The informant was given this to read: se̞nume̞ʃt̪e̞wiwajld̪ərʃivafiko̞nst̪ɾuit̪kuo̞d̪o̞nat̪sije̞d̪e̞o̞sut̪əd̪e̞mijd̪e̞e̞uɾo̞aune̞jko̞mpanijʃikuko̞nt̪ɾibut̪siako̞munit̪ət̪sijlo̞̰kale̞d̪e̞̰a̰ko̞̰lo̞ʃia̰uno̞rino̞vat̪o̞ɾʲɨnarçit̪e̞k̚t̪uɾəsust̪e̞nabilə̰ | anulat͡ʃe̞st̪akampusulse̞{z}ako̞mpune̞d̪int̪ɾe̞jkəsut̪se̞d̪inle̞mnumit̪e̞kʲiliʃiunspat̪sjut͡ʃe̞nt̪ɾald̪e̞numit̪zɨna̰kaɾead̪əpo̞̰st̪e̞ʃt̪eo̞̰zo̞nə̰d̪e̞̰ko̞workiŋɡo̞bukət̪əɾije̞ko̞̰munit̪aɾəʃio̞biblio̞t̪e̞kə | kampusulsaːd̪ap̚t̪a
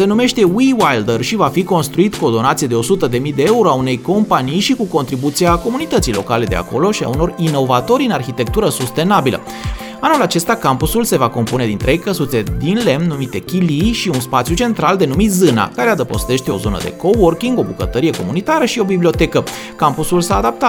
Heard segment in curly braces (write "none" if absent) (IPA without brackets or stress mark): v